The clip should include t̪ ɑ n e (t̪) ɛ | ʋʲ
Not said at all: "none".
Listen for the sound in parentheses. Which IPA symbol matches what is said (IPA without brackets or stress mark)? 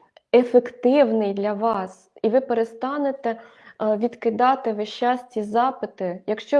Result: t̪